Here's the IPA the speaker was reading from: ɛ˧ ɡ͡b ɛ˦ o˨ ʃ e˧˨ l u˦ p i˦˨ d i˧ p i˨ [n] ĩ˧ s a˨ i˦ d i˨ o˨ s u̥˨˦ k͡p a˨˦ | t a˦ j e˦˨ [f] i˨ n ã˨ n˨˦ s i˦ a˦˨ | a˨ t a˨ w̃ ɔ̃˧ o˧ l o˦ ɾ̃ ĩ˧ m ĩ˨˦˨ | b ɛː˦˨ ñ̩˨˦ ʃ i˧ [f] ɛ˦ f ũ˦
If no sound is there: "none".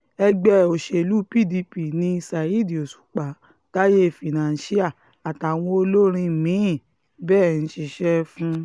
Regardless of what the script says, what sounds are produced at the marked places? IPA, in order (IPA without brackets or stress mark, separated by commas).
n, f, ʃ